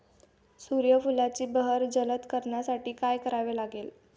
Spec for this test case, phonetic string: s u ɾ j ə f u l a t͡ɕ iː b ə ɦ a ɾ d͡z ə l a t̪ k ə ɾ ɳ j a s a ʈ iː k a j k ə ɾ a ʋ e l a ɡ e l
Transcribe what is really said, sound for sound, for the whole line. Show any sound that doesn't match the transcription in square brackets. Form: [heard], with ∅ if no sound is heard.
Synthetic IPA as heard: s u ɾ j ə f u l a t͡ɕ iː b ə ɦ [ə] ɾ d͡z ə l [ə] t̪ k ə ɾ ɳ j a s a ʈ iː k a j k ə ɾ a ʋ e l a ɡ e l

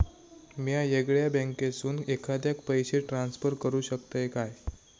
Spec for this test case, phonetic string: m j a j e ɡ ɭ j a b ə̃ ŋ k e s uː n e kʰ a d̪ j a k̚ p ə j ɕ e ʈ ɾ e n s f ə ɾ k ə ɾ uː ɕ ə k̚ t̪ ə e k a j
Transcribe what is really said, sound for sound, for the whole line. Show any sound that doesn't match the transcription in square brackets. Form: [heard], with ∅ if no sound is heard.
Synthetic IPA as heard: m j a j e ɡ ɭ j a b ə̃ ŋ k e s uː n e kʰ a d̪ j a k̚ p ə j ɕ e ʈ ɾ [a] n s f ə ɾ k ə ɾ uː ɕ ə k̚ t̪ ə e k a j

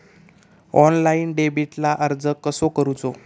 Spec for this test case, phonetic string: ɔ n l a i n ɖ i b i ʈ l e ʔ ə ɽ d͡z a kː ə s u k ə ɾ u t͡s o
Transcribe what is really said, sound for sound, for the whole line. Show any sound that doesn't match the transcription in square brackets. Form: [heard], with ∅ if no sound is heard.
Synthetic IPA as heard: ɔ n l a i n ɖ [e] b i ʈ l [a] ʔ ə [ɾ] d͡z [ə] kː ə s [o] k ə ɾ u t͡s o

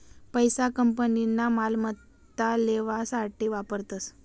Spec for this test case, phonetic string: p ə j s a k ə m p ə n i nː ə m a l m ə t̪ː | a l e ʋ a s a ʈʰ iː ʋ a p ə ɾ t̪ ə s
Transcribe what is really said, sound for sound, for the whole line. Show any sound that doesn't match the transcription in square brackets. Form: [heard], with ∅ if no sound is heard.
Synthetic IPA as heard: p ə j s a k ə m p ə n i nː [a] m a l m ə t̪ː | a l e ʋ a s a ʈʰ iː ʋ a p ə ɾ t̪ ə s

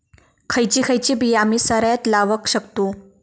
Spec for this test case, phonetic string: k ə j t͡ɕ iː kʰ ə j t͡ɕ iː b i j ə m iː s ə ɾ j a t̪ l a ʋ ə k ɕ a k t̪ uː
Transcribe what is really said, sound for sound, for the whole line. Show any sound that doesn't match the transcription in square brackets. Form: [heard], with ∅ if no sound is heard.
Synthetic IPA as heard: [kʰ] ə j t͡ɕ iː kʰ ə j t͡ɕ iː b i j [a] m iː s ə ɾ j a t̪ l a ʋ ə k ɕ [ə] k t̪ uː

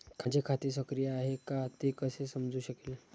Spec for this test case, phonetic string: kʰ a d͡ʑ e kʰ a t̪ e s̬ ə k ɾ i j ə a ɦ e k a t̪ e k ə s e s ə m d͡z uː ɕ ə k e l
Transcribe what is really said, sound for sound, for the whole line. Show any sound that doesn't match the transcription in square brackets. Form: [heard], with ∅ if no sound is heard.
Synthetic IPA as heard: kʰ a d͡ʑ e kʰ a t̪ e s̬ ə k ɾ i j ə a ɦ e k a t̪ e k ə s e s ə m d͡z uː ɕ ə k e l

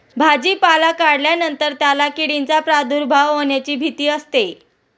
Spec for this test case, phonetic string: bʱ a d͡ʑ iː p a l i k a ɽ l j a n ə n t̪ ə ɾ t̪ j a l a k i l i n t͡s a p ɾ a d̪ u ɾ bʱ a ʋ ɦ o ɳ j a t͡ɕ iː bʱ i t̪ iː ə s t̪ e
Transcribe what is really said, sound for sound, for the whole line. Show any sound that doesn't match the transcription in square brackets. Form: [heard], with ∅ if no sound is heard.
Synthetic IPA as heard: bʱ a d͡ʑ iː p a l [a] k a ɽ l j a n ə n t̪ ə ɾ t̪ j a l a k i [ɽ] i n t͡s a p ɾ a d̪ u ɾ bʱ a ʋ ɦ o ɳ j a t͡ɕ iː bʱ i t̪ iː ə s t̪ e

